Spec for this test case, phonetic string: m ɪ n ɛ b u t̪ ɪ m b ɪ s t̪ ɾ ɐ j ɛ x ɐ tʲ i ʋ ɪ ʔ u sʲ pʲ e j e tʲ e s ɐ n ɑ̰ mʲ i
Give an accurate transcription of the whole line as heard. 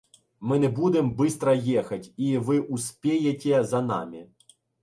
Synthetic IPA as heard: m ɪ n ɛ b u d̪ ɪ m b ɪ s t̪ ɾ ɐ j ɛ x ɐ tʲ i ʋ ɪ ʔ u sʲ pʲ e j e tʲ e z ɐ n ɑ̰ mʲ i